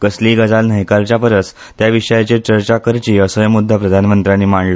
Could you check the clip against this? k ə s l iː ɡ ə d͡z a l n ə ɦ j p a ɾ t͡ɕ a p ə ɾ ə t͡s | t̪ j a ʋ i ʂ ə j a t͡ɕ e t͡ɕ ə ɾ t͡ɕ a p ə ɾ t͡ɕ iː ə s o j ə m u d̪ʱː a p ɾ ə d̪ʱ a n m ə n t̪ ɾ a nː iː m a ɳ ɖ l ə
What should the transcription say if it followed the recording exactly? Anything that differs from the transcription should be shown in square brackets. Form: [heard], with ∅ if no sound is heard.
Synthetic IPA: k ə s l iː ɡ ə d͡z a l n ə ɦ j [k] a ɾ t͡ɕ a p ə ɾ ə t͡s | t̪ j a ʋ i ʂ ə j a t͡ɕ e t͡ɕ ə ɾ t͡ɕ a [k] ə ɾ t͡ɕ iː ə s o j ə m u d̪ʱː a p ɾ ə d̪ʱ a n m ə n t̪ ɾ a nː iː m a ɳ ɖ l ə